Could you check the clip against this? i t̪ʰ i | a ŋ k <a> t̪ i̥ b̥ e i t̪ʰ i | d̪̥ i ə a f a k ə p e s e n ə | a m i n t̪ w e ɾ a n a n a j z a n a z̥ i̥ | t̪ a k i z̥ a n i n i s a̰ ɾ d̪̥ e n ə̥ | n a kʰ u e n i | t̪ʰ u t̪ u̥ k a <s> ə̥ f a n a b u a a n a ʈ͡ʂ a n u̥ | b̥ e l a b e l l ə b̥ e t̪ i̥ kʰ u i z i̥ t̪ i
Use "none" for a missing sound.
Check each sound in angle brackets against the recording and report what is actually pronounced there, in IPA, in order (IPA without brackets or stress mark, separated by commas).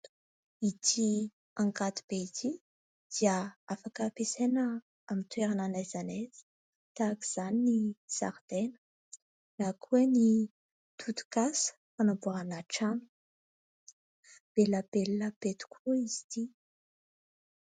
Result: a, s